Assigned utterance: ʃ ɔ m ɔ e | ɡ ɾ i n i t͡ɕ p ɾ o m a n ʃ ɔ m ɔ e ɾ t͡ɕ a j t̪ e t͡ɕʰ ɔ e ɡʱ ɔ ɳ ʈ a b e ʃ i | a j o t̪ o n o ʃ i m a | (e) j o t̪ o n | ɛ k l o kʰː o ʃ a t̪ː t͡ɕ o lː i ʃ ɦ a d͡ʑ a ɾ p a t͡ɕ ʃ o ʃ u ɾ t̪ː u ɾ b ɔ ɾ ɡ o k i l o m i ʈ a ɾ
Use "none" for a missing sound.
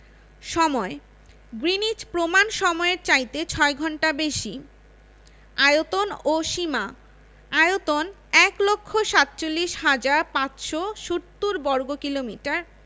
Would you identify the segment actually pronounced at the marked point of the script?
a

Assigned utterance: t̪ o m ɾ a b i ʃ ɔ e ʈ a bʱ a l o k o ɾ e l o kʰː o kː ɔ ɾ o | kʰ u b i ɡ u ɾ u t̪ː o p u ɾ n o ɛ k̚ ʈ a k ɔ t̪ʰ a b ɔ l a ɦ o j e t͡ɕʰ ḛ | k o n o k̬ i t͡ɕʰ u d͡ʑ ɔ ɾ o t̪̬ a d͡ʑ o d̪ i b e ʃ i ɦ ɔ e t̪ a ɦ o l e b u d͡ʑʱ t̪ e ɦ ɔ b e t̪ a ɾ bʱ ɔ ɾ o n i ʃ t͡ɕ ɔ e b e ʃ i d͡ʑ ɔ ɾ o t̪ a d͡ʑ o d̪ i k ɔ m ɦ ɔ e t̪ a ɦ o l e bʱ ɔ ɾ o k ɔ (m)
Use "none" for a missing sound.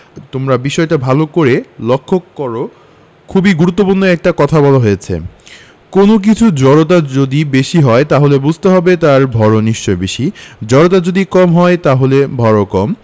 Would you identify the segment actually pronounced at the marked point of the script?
m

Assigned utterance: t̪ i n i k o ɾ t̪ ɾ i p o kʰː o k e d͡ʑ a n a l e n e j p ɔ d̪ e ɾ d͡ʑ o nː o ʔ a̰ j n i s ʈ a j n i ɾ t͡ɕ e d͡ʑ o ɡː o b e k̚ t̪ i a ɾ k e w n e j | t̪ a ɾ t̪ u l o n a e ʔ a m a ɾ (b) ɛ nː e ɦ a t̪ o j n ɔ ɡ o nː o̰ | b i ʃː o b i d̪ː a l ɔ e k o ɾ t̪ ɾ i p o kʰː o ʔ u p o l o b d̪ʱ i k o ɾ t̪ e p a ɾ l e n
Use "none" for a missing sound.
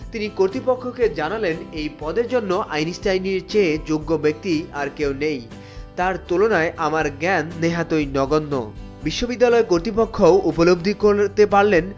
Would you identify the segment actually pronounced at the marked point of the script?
ɡ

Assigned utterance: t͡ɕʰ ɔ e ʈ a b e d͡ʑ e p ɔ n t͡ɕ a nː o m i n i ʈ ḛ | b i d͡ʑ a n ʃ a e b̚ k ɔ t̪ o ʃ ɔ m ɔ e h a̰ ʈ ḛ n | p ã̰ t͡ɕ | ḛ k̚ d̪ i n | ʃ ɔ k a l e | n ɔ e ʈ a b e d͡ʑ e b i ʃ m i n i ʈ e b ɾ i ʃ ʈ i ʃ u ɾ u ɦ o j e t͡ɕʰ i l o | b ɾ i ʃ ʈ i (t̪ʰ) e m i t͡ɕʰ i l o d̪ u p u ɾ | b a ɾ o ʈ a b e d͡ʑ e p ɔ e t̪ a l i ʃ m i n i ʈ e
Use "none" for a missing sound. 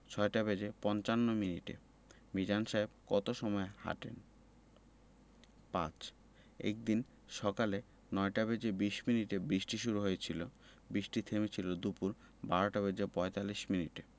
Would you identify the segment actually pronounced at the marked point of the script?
t̪ʰ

